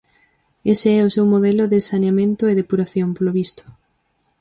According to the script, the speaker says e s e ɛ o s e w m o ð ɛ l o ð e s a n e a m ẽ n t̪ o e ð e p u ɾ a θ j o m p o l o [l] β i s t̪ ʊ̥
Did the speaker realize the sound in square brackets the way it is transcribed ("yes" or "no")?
no